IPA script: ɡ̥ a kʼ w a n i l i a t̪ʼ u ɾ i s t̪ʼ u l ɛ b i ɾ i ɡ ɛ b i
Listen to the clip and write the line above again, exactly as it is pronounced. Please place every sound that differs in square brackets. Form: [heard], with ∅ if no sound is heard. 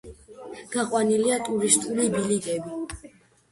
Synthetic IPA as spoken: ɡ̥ a [qʼ] w a n i l i a t̪ʼ u ɾ i s t̪ʼ u l [i] b i [l] i ɡ ɛ b i